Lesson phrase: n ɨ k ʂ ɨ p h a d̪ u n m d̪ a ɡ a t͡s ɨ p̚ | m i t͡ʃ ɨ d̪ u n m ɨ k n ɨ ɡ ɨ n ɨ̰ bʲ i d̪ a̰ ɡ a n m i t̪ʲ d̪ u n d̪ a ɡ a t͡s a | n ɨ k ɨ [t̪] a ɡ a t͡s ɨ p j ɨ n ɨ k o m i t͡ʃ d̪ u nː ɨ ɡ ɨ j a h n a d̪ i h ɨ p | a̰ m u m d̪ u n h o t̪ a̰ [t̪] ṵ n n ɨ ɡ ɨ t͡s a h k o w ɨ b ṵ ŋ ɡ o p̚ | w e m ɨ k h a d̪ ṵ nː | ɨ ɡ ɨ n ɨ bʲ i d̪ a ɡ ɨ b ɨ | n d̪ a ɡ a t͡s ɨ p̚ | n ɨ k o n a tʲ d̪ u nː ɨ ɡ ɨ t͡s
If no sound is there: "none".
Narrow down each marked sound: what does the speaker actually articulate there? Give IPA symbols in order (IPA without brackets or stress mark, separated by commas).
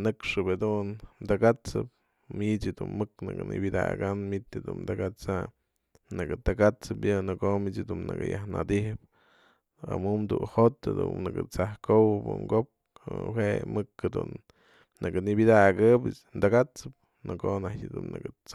t̪, d̪